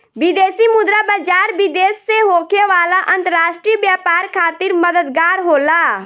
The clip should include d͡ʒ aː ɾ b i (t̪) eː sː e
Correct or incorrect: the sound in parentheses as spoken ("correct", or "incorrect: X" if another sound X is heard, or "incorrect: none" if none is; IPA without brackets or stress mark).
incorrect: d̪